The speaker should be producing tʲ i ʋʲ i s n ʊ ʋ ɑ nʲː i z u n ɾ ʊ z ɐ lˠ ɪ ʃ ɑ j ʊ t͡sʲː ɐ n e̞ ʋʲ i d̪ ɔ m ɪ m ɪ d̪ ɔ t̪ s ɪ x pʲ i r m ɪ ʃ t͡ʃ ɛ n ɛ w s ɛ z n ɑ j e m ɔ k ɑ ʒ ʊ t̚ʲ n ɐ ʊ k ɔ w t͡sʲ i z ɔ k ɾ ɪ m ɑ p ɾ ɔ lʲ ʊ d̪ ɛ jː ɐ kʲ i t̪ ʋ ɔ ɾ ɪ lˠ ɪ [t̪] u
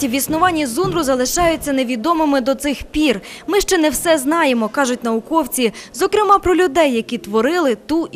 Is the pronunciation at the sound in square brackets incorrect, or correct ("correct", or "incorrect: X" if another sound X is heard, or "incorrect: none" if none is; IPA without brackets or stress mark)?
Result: correct